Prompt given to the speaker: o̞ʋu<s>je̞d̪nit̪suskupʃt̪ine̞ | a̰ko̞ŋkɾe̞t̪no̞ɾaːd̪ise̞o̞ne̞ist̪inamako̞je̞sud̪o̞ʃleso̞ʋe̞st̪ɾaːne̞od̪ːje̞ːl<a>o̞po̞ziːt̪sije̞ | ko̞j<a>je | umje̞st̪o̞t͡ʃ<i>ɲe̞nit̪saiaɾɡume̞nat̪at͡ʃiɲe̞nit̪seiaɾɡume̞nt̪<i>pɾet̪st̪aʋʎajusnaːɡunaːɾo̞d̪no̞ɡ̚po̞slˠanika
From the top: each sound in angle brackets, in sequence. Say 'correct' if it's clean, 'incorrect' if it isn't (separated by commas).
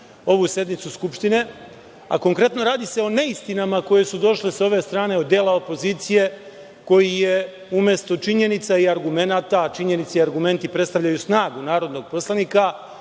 correct, correct, incorrect, correct, correct